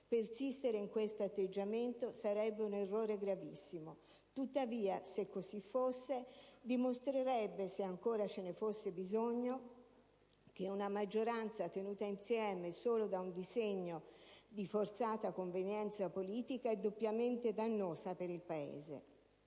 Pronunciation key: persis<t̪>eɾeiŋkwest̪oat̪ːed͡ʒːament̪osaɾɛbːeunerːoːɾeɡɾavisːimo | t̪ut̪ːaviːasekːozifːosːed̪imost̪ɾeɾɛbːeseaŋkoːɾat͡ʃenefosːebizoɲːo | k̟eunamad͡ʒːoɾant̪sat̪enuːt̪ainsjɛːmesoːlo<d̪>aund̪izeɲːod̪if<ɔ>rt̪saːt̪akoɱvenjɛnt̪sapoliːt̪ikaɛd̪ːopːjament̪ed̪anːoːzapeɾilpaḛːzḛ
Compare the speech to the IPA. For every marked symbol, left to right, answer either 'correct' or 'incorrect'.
correct, correct, incorrect: o

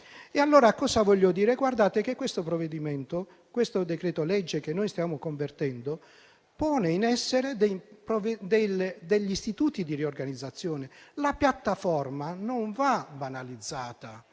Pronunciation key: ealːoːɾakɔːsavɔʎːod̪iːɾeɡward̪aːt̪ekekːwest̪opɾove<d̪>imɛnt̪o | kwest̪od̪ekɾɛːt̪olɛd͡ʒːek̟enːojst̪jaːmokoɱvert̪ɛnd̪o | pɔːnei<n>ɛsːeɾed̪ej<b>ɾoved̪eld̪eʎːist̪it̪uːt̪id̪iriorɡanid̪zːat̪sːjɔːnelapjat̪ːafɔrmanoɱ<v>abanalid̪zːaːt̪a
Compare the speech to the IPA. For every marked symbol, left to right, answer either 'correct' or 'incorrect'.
correct, correct, incorrect: p, correct

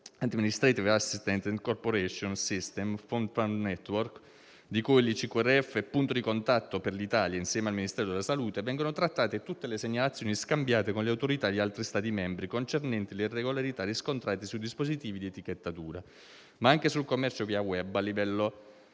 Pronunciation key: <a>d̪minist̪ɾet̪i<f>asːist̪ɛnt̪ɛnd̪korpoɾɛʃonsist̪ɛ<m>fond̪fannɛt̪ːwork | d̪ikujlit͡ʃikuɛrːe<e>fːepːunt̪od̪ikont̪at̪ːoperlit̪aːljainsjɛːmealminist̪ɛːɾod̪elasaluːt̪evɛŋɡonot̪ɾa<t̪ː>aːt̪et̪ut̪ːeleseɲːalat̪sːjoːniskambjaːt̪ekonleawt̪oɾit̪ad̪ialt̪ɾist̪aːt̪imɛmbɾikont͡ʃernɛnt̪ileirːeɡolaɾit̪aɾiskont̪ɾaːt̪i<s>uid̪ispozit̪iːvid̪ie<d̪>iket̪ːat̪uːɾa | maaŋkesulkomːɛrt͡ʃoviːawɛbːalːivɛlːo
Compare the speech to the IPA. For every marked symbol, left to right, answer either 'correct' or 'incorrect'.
correct, incorrect: v, correct, incorrect: ɛ, correct, correct, incorrect: t̪

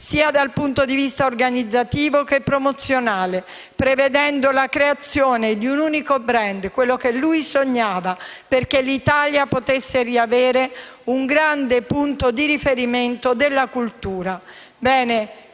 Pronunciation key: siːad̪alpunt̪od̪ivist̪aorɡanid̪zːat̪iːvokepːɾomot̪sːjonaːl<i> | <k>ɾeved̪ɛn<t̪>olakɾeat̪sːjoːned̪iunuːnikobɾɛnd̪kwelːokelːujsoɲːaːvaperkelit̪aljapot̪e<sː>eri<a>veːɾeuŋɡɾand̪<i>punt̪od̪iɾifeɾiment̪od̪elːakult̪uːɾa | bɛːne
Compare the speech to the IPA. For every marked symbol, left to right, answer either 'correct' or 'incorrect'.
incorrect: e, incorrect: p, incorrect: d̪, correct, correct, incorrect: e

